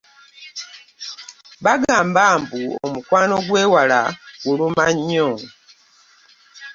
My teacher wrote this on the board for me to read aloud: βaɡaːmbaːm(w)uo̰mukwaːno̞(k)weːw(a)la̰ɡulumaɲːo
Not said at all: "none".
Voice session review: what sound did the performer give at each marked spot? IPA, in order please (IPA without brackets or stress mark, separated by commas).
b, ɡ, a